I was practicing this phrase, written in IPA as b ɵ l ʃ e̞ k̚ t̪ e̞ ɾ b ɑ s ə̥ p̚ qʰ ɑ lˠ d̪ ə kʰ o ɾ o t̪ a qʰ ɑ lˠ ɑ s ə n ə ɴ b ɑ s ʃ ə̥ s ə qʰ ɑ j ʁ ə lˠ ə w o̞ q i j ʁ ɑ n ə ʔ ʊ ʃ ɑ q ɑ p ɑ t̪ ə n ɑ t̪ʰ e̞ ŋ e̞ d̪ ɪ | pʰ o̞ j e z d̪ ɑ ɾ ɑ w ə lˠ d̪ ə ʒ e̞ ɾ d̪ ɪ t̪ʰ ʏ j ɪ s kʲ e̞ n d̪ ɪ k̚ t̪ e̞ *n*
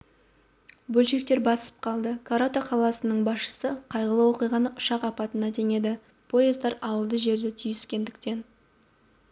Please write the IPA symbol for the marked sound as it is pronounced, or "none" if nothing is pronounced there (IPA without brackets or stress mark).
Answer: n